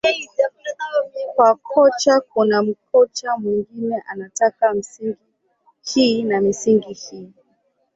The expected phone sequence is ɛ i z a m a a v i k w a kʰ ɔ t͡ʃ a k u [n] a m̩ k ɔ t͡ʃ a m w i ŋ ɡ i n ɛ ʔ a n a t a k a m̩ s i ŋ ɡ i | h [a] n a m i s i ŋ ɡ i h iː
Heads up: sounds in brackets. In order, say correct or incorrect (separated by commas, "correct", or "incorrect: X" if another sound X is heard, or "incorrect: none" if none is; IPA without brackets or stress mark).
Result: correct, incorrect: i